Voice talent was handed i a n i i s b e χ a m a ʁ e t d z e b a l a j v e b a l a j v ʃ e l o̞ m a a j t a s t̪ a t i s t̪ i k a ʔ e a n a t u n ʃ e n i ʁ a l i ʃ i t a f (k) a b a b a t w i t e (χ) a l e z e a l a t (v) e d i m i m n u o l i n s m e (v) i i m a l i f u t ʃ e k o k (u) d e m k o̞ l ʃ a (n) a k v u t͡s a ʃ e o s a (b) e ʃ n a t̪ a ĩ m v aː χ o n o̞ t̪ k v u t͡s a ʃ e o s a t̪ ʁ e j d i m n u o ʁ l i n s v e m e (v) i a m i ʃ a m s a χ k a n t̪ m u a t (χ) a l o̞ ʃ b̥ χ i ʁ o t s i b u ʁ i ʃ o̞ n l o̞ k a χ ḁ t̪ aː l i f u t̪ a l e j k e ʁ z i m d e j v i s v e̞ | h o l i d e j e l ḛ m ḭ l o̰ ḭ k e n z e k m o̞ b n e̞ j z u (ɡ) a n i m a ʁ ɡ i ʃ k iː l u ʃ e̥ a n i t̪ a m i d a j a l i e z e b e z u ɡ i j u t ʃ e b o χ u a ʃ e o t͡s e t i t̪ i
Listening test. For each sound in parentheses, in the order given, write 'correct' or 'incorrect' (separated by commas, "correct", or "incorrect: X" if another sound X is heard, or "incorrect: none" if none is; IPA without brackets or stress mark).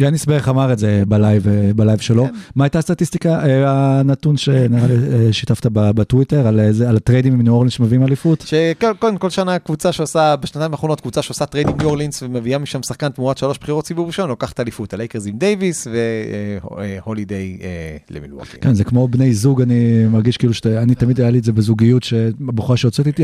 incorrect: t, incorrect: ʁ, incorrect: ʁ, correct, incorrect: o, correct, correct, correct, incorrect: ʃ, correct